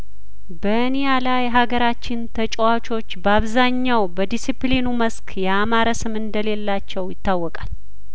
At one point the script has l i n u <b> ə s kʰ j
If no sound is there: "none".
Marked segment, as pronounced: m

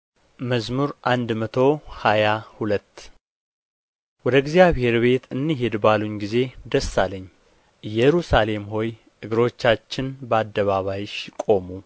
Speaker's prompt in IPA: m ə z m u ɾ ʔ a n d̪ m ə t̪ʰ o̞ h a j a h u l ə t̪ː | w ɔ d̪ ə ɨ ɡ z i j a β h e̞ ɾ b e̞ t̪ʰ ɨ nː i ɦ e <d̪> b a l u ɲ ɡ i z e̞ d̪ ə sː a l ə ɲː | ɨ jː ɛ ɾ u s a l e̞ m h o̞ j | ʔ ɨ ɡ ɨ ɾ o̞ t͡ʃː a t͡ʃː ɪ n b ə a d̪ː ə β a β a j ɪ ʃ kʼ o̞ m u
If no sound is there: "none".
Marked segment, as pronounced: d̪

